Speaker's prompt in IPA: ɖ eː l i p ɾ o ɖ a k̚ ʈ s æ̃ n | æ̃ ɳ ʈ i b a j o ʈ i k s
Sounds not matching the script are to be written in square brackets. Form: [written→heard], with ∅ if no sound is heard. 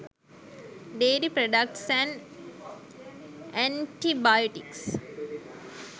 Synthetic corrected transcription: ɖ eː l i p ɾ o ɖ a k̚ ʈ s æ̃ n | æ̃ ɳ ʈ i b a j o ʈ i k s

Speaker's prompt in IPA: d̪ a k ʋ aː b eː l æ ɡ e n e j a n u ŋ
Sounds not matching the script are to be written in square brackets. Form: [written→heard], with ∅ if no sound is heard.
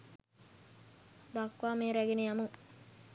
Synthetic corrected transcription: d̪ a k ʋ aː [b→m] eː [l→ɾ] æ ɡ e n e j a [n→m] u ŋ

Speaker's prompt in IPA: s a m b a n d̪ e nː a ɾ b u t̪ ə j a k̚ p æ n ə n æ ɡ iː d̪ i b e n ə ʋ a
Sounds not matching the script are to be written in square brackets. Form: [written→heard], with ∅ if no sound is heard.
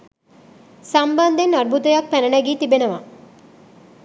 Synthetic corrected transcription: s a m b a n d̪ e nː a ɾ b u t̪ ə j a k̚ p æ n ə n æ ɡ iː [d̪→t̪] i b e n ə ʋ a

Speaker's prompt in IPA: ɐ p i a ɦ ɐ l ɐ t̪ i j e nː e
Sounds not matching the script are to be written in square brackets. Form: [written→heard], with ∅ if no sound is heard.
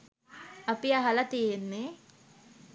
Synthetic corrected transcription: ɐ p i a ɦ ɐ l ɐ t̪ i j e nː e

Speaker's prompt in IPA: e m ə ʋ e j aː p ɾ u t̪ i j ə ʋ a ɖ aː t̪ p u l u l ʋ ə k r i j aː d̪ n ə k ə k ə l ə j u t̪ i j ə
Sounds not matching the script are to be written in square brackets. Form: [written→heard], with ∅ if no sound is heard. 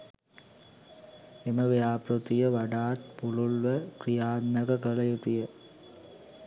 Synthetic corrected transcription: e m ə ʋ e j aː p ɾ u t̪ i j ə ʋ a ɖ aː t̪ p u l u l ʋ ə k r i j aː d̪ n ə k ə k ə l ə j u t̪ i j ə

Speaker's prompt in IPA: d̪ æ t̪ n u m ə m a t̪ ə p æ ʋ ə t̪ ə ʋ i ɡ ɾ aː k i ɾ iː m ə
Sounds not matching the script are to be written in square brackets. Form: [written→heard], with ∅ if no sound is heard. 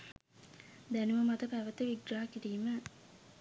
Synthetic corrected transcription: d̪ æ [t̪→∅] n u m ə m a t̪ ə p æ ʋ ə t̪ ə ʋ i ɡ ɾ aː k i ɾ iː m ə

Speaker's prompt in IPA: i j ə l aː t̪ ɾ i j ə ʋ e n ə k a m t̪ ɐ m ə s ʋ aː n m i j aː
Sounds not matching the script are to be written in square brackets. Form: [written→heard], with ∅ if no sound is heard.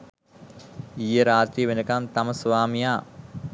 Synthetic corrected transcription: i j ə [l→ɾ] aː t̪ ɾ i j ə ʋ e n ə k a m t̪ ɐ m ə s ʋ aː [n→∅] m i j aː

